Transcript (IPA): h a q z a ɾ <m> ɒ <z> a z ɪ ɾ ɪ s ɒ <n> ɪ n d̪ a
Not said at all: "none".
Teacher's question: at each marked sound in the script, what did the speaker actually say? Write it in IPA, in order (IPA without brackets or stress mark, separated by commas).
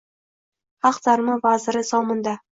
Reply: m, v, m